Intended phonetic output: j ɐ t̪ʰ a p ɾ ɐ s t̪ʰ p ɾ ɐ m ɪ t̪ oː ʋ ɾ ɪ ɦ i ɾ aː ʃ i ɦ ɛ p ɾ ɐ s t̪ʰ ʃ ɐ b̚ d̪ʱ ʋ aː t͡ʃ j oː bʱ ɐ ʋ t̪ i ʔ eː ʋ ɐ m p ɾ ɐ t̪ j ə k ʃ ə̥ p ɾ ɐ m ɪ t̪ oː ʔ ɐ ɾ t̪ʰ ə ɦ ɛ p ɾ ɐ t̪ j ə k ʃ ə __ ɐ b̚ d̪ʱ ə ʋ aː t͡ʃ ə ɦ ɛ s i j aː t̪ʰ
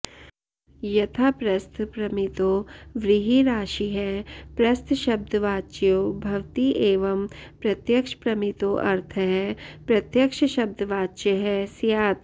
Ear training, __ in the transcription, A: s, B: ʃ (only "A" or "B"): B